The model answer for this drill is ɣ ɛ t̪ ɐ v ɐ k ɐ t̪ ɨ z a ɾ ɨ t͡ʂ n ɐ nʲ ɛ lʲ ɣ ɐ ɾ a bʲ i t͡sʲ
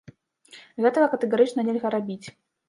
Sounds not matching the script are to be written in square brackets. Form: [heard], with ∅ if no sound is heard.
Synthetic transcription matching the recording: ɣ ɛ t̪ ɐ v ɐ k ɐ t̪ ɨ [ɣ] a ɾ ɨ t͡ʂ n ɐ nʲ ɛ lʲ ɣ ɐ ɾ a bʲ i t͡sʲ